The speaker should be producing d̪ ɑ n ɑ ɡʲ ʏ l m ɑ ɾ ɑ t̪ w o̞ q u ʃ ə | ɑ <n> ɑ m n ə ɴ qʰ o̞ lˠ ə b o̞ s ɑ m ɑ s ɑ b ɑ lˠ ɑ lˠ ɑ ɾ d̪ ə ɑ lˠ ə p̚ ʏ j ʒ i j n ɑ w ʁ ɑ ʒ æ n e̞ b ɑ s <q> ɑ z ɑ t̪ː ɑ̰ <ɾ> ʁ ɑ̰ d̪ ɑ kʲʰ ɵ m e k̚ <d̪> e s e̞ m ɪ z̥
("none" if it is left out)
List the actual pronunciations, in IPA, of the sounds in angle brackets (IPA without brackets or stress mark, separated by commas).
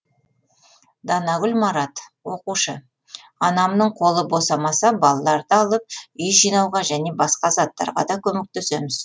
n, q, ɾ, t̪